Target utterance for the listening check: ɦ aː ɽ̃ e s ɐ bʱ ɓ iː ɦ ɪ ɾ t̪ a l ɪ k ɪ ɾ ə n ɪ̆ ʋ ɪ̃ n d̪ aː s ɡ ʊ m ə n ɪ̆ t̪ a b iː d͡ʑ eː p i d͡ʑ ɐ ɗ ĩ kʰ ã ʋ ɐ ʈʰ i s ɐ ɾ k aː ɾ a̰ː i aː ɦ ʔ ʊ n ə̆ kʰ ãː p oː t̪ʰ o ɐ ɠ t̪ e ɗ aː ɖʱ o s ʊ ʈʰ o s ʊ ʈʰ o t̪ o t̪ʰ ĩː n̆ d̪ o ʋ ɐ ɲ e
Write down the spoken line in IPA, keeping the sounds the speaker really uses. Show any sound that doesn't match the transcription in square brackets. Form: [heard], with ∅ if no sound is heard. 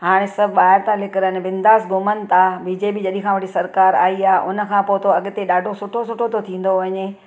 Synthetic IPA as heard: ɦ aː ɽ̃ e s ɐ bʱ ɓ [aː] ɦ ɪ ɾ t̪ a l ɪ k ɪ ɾ ə n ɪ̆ ʋ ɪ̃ n d̪ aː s ɡ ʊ m ə n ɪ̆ t̪ a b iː d͡ʑ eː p i d͡ʑ ɐ ɗ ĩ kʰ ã ʋ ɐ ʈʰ i s ɐ ɾ k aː ɾ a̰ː i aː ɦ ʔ ʊ n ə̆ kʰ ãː p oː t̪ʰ o ɐ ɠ t̪ e ɗ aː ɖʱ o s ʊ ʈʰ o s ʊ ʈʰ o t̪ o t̪ʰ ĩː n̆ d̪ o ʋ ɐ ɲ e